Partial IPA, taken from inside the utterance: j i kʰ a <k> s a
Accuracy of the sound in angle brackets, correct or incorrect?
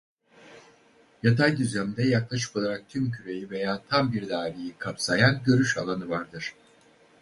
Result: incorrect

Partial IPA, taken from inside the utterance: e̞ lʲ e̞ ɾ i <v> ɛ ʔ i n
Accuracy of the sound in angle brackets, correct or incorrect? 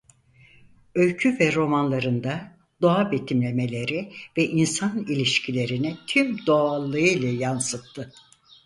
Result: correct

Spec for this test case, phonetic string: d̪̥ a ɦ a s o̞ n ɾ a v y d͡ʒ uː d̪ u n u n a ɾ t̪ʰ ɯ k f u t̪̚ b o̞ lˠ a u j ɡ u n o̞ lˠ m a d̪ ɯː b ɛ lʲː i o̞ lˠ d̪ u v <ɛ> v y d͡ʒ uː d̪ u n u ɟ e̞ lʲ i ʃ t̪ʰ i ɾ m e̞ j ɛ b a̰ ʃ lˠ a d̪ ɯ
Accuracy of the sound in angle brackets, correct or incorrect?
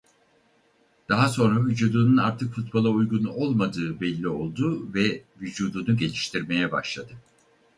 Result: correct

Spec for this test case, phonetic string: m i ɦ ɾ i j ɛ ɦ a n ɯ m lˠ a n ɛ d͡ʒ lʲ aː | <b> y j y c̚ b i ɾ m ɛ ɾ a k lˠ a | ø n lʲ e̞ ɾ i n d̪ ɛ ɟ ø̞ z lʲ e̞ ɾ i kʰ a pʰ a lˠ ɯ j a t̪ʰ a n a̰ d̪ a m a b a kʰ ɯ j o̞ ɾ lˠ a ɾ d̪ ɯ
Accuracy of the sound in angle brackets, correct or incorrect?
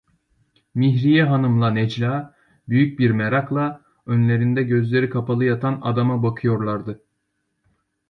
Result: correct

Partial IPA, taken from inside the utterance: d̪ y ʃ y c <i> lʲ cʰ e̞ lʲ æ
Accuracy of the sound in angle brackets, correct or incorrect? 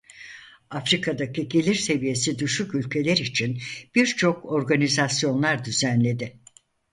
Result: incorrect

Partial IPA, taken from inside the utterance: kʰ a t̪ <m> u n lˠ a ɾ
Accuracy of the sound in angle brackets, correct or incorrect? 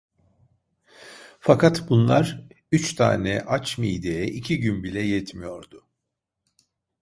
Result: incorrect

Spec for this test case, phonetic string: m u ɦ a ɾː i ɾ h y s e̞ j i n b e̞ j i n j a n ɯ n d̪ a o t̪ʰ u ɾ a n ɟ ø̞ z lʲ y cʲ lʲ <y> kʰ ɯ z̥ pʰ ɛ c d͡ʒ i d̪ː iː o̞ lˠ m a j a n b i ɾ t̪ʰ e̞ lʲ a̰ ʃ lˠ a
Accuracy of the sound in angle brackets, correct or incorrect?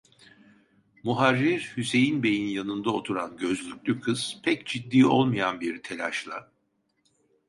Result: correct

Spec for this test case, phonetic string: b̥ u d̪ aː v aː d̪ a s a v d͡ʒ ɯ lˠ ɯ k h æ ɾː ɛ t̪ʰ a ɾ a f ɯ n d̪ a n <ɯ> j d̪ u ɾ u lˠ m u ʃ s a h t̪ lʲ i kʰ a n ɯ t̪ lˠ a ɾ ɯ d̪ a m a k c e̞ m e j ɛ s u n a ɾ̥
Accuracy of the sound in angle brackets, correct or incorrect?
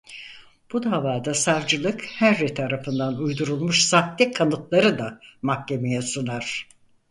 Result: incorrect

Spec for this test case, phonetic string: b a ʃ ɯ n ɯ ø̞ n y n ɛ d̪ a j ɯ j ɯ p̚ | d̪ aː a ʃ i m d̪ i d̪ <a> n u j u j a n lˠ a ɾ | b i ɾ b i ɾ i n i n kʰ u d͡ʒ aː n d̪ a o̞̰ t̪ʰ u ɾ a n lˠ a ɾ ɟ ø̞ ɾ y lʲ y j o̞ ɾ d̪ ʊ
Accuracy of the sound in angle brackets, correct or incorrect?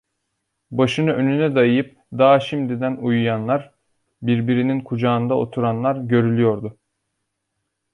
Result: incorrect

